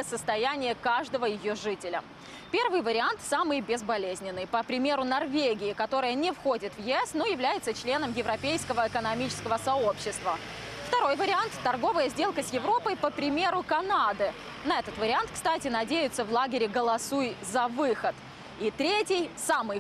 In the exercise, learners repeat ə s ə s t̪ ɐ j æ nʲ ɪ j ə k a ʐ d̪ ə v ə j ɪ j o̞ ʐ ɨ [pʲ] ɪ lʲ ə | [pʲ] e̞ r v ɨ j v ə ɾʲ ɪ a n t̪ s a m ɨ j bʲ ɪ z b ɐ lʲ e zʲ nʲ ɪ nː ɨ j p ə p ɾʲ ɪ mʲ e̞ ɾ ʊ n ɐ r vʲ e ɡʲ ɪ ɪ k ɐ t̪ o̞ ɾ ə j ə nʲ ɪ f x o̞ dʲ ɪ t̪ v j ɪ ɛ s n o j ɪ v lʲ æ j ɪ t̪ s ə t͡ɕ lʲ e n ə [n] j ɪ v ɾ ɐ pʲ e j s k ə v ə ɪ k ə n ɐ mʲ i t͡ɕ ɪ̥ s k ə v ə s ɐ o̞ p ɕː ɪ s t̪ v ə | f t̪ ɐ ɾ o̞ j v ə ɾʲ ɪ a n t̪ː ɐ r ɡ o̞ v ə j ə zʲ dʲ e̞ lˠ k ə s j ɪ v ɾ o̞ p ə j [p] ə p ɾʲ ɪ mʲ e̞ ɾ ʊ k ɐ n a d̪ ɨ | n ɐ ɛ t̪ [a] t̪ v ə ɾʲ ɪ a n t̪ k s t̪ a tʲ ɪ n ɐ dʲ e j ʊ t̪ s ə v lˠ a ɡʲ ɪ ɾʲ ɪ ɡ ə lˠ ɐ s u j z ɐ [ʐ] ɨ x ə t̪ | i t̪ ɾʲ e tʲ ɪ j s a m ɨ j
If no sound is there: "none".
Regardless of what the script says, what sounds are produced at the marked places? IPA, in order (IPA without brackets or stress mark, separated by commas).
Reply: tʲ, pʲ, m, p, ə, v